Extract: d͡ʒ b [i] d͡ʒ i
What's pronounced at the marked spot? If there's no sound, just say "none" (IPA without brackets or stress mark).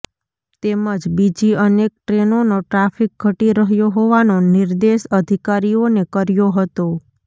i